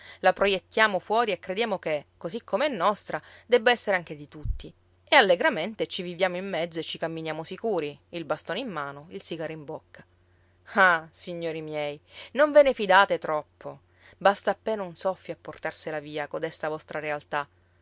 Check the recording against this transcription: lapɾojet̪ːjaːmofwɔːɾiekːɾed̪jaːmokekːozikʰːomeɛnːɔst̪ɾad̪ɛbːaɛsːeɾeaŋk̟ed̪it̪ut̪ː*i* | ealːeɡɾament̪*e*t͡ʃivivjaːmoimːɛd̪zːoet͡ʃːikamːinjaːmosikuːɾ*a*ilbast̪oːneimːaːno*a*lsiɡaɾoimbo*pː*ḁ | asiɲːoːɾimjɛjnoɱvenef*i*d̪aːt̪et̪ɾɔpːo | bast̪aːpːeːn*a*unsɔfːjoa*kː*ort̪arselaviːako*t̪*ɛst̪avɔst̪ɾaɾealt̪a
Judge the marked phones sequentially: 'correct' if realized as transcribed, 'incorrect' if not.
correct, correct, incorrect, incorrect, incorrect, correct, correct, incorrect, incorrect

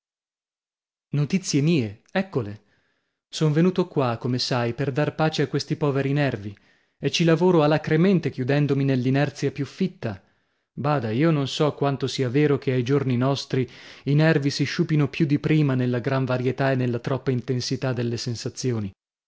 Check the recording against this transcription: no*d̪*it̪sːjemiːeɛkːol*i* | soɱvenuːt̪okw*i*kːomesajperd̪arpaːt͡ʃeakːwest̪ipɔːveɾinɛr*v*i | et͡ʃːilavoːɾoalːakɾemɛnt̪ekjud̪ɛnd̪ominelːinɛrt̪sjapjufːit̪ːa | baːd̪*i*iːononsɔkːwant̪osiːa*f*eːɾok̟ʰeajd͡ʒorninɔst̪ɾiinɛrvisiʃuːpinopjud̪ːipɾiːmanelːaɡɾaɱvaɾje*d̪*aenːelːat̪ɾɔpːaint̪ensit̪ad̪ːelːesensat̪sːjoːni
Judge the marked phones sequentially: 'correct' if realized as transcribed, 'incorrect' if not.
incorrect, incorrect, incorrect, correct, incorrect, incorrect, incorrect

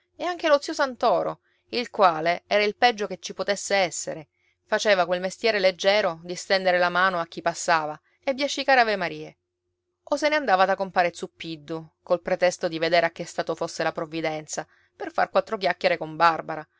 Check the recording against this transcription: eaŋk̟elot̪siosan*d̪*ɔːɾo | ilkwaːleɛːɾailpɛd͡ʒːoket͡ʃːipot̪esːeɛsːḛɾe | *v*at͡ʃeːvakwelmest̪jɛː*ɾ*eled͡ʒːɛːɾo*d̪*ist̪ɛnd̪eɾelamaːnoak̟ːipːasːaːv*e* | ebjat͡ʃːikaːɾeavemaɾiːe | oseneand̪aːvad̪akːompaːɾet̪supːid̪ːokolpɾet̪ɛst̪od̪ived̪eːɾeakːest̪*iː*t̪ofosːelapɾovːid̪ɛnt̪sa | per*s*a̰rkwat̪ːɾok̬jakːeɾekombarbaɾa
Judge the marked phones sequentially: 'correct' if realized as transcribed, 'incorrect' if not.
incorrect, incorrect, correct, correct, incorrect, incorrect, incorrect

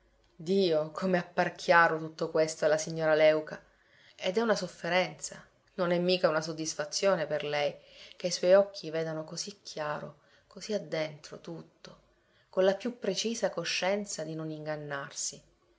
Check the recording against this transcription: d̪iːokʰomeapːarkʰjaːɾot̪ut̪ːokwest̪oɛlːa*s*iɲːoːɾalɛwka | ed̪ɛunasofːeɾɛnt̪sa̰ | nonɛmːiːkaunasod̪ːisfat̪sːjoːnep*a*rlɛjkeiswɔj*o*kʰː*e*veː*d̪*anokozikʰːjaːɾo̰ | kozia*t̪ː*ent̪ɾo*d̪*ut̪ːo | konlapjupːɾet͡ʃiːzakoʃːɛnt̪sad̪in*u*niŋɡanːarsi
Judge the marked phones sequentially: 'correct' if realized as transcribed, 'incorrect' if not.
correct, incorrect, incorrect, incorrect, correct, incorrect, incorrect, incorrect

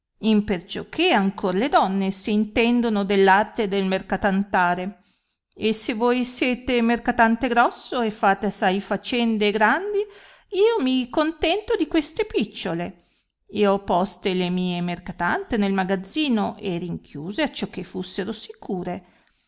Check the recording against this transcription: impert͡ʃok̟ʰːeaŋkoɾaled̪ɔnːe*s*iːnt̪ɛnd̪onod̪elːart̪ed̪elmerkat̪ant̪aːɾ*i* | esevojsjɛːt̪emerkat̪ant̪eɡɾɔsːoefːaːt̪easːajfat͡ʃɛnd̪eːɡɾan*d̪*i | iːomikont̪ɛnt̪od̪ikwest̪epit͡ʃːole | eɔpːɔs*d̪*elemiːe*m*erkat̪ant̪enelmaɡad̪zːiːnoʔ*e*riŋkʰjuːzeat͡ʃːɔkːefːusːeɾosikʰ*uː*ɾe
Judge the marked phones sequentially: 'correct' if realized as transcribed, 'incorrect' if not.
correct, incorrect, correct, incorrect, correct, correct, correct

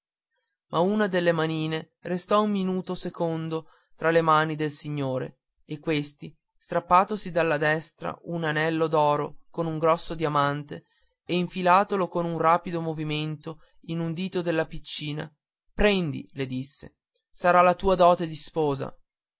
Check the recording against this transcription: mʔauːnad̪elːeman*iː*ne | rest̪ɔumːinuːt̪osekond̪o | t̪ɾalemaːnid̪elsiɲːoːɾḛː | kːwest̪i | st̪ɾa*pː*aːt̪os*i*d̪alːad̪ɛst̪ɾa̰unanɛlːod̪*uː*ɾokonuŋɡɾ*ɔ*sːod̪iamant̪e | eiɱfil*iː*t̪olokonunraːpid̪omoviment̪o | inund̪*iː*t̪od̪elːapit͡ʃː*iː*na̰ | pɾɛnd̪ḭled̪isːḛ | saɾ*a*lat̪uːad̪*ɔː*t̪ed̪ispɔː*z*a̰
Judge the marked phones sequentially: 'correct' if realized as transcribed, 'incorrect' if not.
correct, correct, correct, incorrect, correct, incorrect, correct, correct, correct, correct, correct

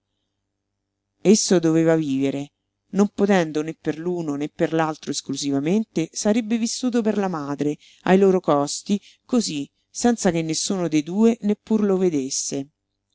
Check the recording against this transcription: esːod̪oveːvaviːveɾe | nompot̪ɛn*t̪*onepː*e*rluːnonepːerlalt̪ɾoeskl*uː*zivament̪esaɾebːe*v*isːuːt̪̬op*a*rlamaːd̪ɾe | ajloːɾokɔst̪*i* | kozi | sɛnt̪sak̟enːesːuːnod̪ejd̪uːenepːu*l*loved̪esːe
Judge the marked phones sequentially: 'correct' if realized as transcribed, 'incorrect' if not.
incorrect, correct, incorrect, correct, incorrect, correct, incorrect

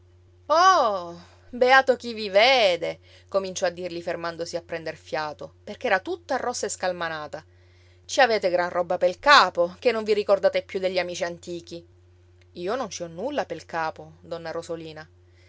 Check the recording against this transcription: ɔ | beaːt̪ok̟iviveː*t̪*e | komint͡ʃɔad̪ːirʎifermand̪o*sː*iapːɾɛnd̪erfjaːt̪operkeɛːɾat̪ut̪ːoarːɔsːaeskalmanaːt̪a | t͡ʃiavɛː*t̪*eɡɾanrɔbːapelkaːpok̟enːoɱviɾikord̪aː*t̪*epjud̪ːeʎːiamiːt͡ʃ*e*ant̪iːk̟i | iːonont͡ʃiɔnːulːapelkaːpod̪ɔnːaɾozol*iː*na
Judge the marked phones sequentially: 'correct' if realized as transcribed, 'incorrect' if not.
incorrect, incorrect, correct, correct, incorrect, correct

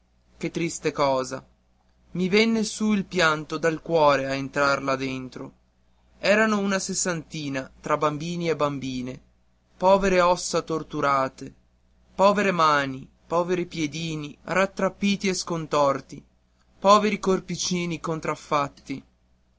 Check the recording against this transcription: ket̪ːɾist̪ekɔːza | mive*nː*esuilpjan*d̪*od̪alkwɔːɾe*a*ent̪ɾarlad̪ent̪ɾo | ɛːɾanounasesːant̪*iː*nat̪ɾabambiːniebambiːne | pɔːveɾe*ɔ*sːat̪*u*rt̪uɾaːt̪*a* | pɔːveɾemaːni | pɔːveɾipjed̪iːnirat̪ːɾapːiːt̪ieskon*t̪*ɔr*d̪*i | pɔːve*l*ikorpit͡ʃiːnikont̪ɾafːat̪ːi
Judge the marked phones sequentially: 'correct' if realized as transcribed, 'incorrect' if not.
correct, incorrect, correct, correct, correct, incorrect, incorrect, correct, incorrect, incorrect

